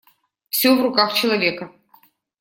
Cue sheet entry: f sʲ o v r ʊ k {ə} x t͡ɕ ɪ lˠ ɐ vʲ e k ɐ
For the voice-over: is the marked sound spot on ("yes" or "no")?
no